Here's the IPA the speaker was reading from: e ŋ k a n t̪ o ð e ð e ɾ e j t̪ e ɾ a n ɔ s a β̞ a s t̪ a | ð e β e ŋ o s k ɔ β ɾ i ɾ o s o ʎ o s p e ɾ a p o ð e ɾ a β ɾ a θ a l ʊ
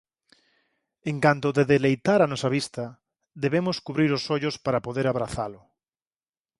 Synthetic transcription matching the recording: e ŋ k a n t̪ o ð e ð e l e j t̪ a ɾ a n ɔ s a β̞ i s t̪ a | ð e β e m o s k u β ɾ i ɾ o s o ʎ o s p a ɾ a p o ð e ɾ a β ɾ a θ a l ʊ